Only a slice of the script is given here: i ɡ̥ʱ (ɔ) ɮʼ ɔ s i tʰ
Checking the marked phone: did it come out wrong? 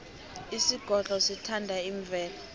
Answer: no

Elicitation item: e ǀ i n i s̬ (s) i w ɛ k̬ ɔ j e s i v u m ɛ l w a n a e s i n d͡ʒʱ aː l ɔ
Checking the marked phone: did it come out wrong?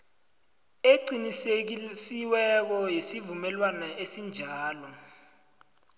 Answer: no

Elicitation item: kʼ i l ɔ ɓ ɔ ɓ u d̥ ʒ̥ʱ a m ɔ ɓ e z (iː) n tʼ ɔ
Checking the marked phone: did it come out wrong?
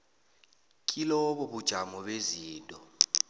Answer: no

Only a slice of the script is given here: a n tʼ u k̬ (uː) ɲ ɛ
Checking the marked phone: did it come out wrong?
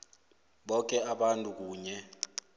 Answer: no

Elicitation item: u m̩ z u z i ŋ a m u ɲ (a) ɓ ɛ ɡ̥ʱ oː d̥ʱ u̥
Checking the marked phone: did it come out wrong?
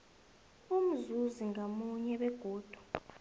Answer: yes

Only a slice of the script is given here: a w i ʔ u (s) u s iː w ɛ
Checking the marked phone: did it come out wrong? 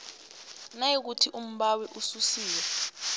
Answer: no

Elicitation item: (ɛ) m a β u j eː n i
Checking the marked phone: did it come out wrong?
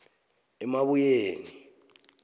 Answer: no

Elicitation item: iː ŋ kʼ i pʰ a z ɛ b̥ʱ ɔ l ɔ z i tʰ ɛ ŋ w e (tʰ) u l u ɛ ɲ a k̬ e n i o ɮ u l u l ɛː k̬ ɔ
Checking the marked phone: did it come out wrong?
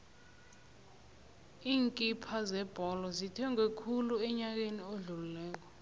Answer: yes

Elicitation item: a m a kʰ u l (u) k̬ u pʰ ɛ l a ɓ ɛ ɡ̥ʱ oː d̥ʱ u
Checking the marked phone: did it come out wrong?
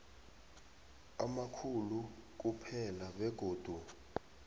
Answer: no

